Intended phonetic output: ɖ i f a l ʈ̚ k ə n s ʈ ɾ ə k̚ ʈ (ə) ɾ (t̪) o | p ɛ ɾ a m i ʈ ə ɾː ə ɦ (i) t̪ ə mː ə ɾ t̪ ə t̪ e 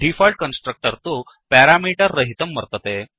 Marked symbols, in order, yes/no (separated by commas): yes, yes, yes